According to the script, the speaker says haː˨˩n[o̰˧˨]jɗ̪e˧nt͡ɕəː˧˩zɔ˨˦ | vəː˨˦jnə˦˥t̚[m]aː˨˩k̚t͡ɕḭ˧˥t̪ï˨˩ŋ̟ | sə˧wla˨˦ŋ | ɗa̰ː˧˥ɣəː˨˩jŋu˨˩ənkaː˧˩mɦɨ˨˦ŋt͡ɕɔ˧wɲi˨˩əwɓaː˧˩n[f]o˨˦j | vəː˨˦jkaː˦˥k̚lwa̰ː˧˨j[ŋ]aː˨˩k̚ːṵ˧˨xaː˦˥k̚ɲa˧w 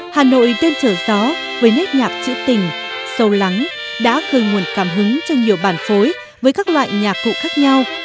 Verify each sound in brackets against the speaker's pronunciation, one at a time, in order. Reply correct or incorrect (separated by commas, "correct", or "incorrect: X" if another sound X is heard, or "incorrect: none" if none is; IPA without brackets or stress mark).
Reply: correct, incorrect: ɲ, correct, incorrect: ɲ